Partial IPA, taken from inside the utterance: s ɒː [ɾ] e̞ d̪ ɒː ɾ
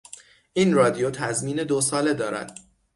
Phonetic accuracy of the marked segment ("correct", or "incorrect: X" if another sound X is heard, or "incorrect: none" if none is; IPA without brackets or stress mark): incorrect: l